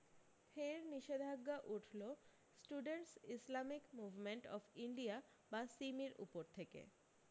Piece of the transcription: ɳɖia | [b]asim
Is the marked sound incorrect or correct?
correct